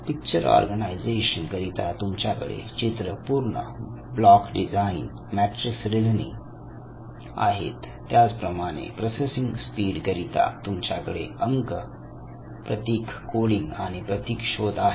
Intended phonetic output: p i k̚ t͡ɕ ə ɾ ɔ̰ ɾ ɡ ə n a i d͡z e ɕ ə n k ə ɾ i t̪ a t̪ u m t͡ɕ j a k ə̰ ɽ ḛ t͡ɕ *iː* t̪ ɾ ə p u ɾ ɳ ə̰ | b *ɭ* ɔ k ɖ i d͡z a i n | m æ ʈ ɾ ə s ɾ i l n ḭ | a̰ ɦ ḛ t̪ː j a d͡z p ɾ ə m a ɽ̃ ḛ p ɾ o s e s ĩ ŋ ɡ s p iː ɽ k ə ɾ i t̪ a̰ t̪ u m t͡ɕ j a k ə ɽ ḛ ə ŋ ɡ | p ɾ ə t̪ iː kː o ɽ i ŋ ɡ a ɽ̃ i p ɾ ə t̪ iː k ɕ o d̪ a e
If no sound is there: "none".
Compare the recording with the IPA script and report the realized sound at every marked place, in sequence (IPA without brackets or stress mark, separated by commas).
i, l